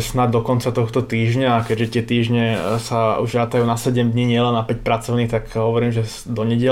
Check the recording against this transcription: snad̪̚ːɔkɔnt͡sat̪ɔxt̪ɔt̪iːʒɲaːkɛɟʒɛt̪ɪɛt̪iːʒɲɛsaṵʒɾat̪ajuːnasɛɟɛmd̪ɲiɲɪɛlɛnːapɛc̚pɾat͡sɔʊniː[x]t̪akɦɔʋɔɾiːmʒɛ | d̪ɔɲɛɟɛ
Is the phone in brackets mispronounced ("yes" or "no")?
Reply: no